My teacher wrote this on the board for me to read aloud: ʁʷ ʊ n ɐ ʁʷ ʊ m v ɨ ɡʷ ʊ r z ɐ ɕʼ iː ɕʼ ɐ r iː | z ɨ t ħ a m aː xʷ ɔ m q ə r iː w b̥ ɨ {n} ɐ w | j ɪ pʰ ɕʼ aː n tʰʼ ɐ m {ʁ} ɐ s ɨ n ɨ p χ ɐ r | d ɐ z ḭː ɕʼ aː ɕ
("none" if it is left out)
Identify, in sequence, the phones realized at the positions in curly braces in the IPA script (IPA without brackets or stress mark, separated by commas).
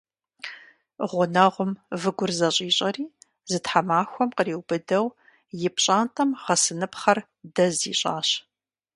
d, ʁ